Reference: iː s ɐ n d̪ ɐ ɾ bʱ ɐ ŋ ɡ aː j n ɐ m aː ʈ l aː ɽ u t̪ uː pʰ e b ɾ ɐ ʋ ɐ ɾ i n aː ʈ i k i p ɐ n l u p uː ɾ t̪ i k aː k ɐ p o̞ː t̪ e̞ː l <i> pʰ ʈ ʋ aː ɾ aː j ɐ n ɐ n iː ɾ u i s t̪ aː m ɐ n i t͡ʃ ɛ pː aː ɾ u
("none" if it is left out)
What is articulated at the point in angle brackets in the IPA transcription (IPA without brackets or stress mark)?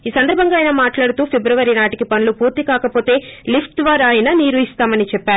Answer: i